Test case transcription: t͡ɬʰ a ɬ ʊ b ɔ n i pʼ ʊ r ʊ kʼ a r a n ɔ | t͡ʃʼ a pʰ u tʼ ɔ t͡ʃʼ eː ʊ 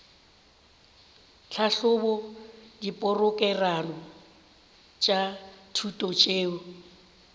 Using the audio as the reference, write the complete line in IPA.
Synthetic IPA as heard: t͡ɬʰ a ɬ ʊ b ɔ d i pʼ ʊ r ʊ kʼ ɛ r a n ɔ | t͡ʃʼ a tʰ u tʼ ɔ t͡ʃʼ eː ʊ